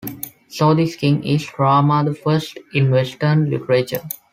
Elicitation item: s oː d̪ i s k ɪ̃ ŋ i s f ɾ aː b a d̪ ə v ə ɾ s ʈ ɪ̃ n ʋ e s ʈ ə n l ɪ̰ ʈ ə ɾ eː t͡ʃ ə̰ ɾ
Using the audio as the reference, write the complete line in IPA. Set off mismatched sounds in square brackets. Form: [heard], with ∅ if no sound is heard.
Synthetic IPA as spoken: s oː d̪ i s k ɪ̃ ŋ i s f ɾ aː [m] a d̪ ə [f] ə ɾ s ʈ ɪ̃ n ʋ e s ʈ ə n l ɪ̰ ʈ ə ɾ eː t͡ʃ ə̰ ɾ